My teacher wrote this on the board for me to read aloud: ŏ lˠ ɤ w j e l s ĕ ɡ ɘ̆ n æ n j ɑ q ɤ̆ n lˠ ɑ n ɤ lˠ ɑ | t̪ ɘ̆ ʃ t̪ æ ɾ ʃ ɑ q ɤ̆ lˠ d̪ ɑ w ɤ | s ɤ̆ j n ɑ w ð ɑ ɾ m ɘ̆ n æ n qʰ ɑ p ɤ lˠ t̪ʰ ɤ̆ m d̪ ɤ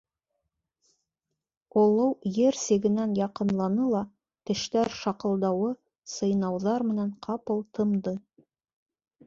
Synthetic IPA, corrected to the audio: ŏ lˠ ɤ w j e ɾ s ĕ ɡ ɘ̆ n æ n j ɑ q ɤ̆ n lˠ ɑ n ɤ lˠ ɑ | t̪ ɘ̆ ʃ t̪ æ ɾ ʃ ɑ q ɤ̆ lˠ d̪ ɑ w ɤ | s ɤ̆ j n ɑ w ð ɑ ɾ m ɘ̆ n æ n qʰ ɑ p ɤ lˠ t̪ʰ ɤ̆ m d̪ ɤ